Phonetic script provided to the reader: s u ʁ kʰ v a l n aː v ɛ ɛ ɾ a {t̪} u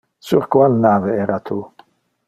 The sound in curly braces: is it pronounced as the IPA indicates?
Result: no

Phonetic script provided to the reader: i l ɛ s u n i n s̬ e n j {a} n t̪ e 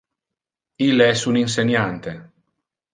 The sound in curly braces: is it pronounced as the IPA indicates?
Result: yes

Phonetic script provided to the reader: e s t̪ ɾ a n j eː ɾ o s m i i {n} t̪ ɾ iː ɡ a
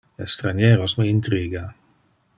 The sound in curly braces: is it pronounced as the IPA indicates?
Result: yes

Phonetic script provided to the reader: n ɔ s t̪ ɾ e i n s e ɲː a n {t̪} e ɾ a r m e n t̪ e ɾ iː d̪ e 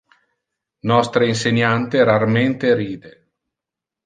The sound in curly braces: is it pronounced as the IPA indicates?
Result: yes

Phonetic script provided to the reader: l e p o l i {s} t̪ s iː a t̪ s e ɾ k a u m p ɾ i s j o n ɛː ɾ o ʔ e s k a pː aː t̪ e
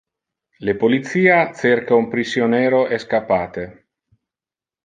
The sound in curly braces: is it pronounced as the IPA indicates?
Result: no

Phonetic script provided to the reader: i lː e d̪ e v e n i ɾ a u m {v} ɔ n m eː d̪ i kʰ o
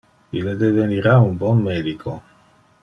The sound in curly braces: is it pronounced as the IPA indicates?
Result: no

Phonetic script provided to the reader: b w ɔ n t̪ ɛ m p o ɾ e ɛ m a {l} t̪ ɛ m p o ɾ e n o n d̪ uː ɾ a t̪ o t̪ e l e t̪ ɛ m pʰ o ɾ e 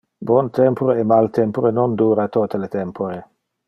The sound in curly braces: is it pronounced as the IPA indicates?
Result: yes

